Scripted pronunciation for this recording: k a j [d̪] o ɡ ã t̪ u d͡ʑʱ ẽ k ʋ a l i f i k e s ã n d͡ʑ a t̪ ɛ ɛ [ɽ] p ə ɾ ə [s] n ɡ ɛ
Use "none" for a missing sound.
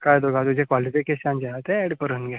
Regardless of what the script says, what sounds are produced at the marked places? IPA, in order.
d̪, ɽ, none

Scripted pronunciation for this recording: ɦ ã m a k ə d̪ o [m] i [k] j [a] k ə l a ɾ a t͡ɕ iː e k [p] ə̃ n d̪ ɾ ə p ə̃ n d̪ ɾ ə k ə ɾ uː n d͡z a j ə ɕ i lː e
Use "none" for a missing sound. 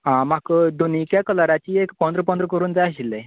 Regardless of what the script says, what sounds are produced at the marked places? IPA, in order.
n, k, a, p

